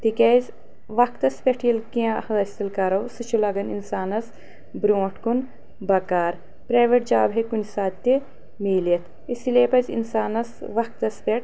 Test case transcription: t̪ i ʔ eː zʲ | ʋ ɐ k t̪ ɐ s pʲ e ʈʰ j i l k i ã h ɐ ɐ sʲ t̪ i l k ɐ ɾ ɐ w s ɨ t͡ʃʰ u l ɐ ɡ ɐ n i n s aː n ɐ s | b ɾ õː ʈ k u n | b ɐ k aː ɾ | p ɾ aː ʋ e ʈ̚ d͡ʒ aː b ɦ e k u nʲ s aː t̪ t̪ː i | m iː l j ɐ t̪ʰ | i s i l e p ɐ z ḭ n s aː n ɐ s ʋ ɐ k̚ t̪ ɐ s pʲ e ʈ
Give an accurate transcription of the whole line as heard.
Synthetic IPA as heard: t̪ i k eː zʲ | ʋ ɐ k t̪ ɐ s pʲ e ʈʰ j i l k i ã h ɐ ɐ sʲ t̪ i l k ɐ ɾ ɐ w s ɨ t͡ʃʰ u l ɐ ɡ ɐ n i n s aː n ɐ s | b ɾ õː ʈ k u n | b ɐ k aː ɾ | p ɾ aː ʋ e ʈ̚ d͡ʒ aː b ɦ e k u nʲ s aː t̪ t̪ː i | m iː l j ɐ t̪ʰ | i s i l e p ɐ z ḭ n s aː n ɐ s ʋ ɐ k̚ t̪ ɐ s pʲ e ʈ